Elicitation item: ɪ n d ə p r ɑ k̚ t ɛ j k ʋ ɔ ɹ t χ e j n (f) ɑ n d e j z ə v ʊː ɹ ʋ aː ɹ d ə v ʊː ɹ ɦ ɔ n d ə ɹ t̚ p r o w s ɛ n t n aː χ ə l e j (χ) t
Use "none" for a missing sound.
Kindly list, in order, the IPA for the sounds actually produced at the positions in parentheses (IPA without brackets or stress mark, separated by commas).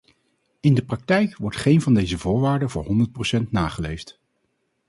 v, f